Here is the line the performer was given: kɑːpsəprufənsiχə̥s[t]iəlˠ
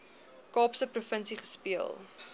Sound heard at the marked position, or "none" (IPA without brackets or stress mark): p